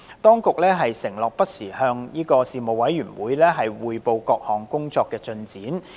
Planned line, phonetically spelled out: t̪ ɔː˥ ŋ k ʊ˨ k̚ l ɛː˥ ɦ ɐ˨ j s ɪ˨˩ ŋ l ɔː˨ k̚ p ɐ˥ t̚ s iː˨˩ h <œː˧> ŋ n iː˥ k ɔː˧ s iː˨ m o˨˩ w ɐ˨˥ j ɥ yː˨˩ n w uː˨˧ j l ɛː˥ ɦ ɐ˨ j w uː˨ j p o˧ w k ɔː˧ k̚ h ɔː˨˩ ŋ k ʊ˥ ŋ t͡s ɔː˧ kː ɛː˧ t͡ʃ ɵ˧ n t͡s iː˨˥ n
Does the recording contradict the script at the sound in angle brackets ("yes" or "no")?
no